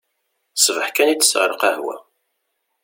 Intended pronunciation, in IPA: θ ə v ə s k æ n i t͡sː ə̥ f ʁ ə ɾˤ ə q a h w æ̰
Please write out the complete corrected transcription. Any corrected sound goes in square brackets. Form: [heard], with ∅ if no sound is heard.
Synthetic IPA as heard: [s] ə v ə [ħ] k æ n i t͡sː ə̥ [s] ʁ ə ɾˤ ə q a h w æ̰